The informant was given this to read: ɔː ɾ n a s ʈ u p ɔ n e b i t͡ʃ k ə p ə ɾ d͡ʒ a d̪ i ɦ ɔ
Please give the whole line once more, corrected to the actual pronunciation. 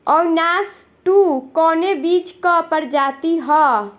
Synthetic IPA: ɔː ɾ n a s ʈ u k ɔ n e b i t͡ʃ k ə p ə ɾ d͡ʒ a t̪ i ɦ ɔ